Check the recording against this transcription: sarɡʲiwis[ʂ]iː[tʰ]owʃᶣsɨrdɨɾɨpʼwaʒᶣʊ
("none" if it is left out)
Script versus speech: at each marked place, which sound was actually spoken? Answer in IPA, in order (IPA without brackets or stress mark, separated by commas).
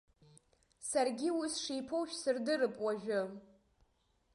ʂ, pʰ